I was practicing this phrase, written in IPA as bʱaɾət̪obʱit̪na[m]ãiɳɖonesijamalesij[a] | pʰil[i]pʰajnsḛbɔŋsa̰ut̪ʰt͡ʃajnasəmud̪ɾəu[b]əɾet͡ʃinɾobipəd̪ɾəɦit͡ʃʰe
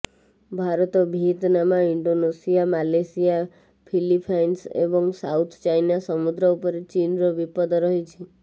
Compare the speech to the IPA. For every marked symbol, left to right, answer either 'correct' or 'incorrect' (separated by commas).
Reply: correct, correct, correct, incorrect